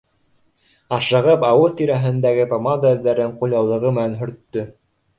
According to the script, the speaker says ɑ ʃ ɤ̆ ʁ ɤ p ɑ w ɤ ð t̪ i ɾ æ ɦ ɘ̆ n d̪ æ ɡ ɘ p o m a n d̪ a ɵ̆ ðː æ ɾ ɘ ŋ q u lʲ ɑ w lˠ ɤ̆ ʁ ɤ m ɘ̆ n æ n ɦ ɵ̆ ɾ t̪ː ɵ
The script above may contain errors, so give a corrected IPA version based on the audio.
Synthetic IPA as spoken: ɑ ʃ ɤ̆ ʁ ɤ p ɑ w ɤ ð t̪ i ɾ æ ɦ ɘ̆ n d̪ æ ɡ ɘ p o m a n d̪ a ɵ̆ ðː æ ɾ ɘ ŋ q u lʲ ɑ w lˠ ɤ̆ ʁ ɤ m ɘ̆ n æ n ɦ ɵ̆ ɾ t̪ː ɵ